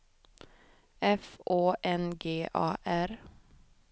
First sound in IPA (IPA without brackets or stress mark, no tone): ɛ